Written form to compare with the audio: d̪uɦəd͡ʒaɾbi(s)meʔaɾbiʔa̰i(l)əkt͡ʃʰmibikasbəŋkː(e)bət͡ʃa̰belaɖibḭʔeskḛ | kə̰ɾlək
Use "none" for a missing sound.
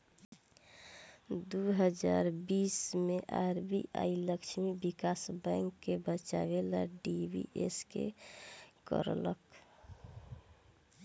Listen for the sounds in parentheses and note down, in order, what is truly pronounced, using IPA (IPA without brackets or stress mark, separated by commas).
s, l, e